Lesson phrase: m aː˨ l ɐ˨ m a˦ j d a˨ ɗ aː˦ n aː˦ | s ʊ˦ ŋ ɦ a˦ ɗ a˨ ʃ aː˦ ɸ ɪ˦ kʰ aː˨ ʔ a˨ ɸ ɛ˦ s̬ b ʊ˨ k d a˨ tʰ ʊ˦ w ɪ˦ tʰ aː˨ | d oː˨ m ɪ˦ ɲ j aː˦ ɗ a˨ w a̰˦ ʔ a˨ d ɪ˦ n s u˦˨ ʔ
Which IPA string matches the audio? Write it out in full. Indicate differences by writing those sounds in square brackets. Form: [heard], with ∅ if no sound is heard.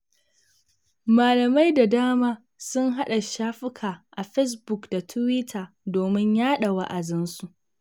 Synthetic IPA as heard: m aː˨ l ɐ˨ m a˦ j d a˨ [d] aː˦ [m] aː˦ | s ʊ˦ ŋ ɦ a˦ ɗ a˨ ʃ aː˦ ɸ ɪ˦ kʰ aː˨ ʔ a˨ ɸ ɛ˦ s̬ b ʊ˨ k d a˨ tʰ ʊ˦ w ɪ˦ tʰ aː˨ | d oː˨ m ɪ˦ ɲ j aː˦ ɗ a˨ w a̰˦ ʔ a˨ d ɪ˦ n s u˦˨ ʔ